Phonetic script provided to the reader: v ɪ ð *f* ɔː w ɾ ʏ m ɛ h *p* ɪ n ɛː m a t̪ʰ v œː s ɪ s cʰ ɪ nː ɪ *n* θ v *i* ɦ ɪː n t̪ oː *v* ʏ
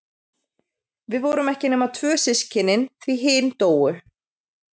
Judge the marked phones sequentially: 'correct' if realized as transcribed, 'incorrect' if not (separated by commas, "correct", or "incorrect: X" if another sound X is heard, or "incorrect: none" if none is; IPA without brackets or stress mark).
incorrect: v, incorrect: c, correct, correct, incorrect: w